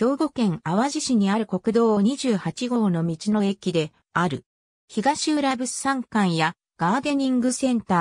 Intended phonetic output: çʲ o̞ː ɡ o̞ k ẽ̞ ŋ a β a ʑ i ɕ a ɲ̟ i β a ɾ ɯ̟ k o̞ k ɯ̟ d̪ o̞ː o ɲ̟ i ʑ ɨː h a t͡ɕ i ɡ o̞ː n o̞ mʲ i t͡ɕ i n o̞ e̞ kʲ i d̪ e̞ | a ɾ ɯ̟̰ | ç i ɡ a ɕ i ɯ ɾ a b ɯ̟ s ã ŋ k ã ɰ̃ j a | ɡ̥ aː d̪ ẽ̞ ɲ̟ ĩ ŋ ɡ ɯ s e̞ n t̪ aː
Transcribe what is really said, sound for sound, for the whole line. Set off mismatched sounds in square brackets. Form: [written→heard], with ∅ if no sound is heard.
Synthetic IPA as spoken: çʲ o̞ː ɡ o̞ k ẽ̞ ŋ a β a ʑ i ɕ [a→i] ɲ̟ i [β→∅] a ɾ ɯ̟ k o̞ k ɯ̟ d̪ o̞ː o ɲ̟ i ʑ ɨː h a t͡ɕ i ɡ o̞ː n o̞ mʲ i t͡ɕ i n o̞ e̞ kʲ i d̪ e̞ | a ɾ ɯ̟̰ | ç i ɡ a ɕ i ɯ ɾ a b ɯ̟ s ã ŋ k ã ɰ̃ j a | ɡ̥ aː d̪ [ẽ̞→e̞] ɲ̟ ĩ ŋ ɡ ɯ s [e̞→ẽ̞] n t̪ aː